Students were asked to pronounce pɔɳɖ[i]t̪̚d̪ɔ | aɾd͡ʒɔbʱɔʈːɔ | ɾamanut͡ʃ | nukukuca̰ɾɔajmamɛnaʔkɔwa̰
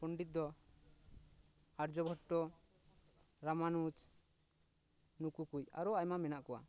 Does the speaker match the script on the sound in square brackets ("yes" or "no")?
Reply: yes